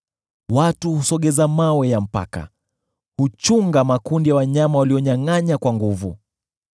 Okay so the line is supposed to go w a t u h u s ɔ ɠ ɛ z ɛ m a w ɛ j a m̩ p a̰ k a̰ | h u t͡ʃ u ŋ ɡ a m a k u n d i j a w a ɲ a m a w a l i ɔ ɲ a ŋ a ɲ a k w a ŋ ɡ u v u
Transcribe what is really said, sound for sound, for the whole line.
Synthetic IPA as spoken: w a t u h u s ɔ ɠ ɛ z a m a w ɛ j a m̩ p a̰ k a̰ | h u t͡ʃ u ŋ ɡ a m a k u n d i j a w a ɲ a m a w a l i ɔ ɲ a ŋ a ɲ a k w a ŋ ɡ u v u